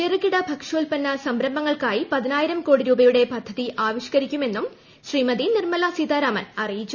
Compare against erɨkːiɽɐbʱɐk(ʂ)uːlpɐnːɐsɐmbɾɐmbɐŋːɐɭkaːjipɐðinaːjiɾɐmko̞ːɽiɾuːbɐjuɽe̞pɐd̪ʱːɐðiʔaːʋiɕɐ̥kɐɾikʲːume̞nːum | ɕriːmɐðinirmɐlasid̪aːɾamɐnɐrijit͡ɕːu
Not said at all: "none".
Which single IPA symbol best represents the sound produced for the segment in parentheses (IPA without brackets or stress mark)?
ʂ